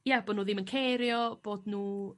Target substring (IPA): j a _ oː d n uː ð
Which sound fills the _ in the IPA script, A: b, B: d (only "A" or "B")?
A